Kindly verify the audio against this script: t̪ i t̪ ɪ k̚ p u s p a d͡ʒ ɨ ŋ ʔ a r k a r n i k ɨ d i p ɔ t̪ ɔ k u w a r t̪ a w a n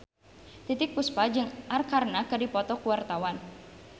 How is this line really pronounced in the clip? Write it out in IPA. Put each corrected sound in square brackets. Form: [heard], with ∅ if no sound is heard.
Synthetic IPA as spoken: t̪ i t̪ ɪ k̚ p u s p a d͡ʒ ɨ ŋ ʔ a r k a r n [a] k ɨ d i p ɔ t̪ ɔ k u w a r t̪ a w a n